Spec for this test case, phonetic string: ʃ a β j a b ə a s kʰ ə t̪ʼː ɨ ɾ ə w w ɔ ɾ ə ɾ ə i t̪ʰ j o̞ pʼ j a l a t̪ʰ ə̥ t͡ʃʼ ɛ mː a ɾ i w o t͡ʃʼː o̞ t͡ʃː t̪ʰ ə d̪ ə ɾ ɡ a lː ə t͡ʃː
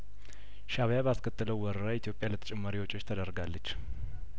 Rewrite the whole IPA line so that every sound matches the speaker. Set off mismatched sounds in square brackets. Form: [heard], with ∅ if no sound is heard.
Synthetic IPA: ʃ a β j a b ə a s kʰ ə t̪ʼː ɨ [l] ə w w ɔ ɾ ə ɾ [a] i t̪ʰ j o̞ pʼ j a l [ə] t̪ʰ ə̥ t͡ʃʼ ɛ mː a ɾ i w o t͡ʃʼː o̞ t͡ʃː t̪ʰ ə d̪ ə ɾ ɡ a lː ə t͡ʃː